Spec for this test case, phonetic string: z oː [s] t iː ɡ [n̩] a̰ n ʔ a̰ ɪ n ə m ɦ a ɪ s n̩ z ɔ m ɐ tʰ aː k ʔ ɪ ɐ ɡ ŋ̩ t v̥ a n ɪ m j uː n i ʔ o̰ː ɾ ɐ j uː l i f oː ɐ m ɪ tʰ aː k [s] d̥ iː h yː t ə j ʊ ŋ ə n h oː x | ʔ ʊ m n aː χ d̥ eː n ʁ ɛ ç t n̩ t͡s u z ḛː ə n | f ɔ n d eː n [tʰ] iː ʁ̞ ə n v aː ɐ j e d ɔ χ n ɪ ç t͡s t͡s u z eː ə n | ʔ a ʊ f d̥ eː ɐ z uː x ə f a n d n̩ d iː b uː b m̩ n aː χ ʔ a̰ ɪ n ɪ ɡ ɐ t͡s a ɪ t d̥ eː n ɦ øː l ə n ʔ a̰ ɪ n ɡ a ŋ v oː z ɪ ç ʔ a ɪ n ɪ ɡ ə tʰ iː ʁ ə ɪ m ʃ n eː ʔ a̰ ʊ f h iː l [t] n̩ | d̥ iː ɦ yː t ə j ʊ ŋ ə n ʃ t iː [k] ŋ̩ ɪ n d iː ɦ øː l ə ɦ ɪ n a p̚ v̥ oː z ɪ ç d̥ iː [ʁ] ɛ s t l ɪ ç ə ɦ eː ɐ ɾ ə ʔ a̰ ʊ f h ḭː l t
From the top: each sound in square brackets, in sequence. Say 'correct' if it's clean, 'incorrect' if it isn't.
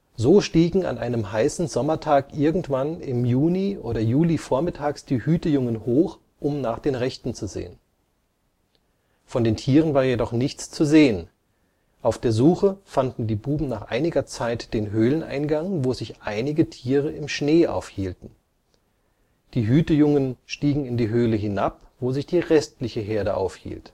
incorrect: ʃ, incorrect: ŋ̩, correct, correct, correct, incorrect: ɡ, correct

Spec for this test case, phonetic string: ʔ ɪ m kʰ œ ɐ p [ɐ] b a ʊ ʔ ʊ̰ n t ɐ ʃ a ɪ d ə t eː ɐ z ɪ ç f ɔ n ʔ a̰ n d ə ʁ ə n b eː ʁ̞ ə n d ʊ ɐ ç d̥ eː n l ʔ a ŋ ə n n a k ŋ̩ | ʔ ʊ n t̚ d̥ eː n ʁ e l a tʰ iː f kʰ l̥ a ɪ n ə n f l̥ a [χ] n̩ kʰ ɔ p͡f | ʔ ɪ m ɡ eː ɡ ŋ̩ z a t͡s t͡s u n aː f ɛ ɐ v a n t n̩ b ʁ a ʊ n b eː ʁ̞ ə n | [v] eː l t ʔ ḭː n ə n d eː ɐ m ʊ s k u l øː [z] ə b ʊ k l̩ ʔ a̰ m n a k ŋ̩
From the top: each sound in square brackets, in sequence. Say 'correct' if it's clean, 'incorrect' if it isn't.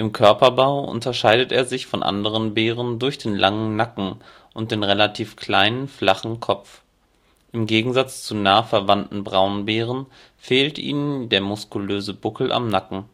correct, correct, incorrect: f, correct

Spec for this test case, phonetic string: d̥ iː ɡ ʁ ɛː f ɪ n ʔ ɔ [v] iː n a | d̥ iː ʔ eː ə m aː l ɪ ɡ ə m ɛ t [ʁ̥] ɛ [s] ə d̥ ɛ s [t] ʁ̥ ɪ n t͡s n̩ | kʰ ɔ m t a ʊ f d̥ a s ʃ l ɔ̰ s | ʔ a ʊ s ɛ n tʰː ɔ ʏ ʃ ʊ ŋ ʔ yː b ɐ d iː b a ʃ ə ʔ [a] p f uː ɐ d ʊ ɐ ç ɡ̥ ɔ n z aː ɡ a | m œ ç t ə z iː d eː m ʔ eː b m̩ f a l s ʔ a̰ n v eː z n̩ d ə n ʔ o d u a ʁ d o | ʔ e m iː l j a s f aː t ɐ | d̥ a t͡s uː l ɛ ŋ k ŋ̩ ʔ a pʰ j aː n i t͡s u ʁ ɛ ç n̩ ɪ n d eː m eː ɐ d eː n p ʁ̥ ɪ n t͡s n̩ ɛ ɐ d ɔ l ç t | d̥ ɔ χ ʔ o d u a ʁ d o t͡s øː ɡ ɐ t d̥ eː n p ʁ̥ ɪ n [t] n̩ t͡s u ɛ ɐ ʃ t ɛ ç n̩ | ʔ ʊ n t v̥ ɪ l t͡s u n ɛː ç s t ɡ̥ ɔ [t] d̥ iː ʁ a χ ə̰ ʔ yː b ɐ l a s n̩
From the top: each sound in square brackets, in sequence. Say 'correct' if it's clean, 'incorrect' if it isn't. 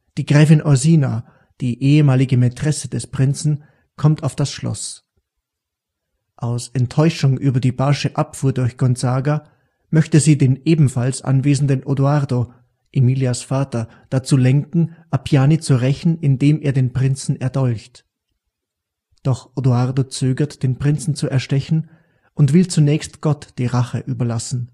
incorrect: z, correct, correct, incorrect: p, correct, incorrect: t͡s, correct

